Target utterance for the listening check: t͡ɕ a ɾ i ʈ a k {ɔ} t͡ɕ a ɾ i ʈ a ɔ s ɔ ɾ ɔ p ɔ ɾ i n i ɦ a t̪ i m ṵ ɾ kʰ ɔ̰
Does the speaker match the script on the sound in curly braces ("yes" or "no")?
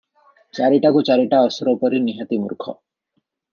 no